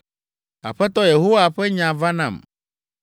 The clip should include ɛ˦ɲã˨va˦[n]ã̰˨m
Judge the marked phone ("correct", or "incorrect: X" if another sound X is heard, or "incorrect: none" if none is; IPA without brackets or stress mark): correct